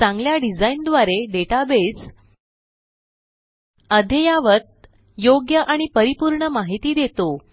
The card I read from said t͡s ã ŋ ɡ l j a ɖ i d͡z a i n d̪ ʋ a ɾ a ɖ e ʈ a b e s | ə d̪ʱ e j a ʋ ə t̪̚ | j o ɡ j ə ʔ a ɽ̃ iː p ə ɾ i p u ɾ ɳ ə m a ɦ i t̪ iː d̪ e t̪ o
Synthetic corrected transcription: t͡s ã ŋ ɡ l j a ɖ i d͡z a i n d̪ ʋ a ɾ e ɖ e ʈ a b e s | ə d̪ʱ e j a ʋ ə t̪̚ | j o ɡ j ə ʔ a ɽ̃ i p ə ɾ i p u ɾ ɳ ə m a ɦ i t̪ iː d̪ e t̪ o

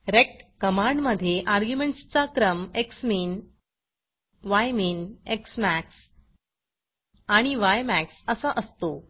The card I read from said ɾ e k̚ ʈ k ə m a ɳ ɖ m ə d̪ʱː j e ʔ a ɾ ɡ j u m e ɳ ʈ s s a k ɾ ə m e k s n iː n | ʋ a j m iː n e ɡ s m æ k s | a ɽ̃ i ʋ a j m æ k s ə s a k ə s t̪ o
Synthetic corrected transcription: ɾ e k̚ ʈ k ə m a ɳ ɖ m ə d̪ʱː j e ʔ a ɾ ɡ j u m e ɳ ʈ s t͡s a k ɾ ə m e k s m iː n | ʋ a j m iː n e k s m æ k s | a ɽ̃ i ʋ a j m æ k s ə s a ʔ ə s t̪ o

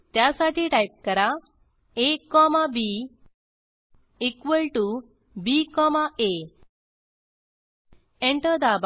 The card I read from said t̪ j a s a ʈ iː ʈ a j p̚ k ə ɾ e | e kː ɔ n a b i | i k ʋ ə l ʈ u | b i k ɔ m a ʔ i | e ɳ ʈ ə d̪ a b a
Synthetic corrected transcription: t̪ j a s a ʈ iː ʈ a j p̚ k ə ɾ a | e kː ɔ m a b i | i k ʋ ə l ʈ u | b i k ɔ m a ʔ e | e ɳ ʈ ə d̪ a b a

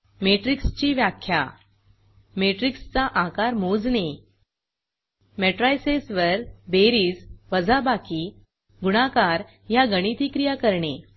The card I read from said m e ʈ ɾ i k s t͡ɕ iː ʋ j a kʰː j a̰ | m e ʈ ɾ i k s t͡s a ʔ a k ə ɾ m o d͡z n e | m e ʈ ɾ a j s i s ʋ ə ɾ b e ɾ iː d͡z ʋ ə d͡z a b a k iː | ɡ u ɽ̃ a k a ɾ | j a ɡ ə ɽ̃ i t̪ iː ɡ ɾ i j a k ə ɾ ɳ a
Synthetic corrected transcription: m e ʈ ɾ i k s t͡ɕ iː ʋ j a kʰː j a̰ | m e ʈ ɾ i k s t͡s a ʔ a k a ɾ m o d͡z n e | m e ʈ ɾ a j s e s ʋ ə ɾ b e ɾ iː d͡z ʋ ə d͡z a b a k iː | ɡ u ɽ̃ a k a ɾ | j a ɡ ə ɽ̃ i t̪ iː k ɾ i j a k ə ɾ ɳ e

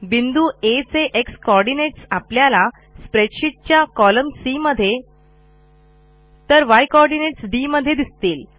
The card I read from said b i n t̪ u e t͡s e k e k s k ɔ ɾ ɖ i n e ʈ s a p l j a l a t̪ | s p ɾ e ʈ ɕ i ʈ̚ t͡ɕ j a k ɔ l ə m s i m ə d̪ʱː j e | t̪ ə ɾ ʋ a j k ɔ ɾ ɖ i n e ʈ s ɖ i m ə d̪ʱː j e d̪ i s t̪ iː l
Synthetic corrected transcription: b i n d̪ u e t͡s e ʔ e k s k ɔ ɾ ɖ i n e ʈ s a p l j a l a | s p ɾ e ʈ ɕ i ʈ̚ t͡ɕ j a k ɔ l ə m s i m ə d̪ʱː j e | t̪ ə ɾ ʋ a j k ɔ ɾ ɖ i n e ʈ s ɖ i m ə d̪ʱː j e d̪ i s t̪ iː l

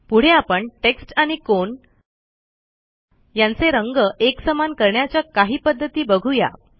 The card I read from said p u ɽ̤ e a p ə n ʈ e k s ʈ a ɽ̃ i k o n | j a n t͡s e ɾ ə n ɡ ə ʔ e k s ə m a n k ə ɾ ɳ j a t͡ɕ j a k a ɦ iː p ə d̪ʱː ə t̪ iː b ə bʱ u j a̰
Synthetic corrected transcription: p u ɽ̤ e a p ə ɳ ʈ e k s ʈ a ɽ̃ i k o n | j a n t͡s e ɾ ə ŋ ɡ ə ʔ e k s ə m a n k ə ɾ ɳ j a t͡ɕ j a k a ɦ iː p ə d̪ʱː ə t̪ iː b ə ɡʱ u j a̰

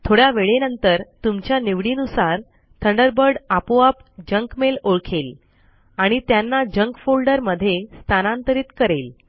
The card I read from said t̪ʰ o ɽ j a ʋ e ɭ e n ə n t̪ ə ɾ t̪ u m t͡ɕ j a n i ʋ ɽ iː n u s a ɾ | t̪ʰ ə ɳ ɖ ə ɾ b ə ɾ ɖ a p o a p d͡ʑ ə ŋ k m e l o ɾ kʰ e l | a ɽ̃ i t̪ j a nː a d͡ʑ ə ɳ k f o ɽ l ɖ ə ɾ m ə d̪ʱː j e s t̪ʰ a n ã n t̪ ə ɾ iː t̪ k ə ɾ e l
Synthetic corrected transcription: t̪ʰ o ɽ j a ʋ e ɭ e n ə n t̪ ə ɾ t̪ u m t͡ɕ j a n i ʋ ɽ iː n u s a ɾ | t̪ʰ ə ɳ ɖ ə ɾ b ə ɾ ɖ a p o a p d͡ʑ ə ŋ k m e l o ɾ kʰ e l | a ɽ̃ i t̪ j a nː a d͡ʑ ə ŋ k f o l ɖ ə ɾ m ə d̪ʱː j e s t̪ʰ a n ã n t̪ ə ɾ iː t̪ k ə ɾ e l

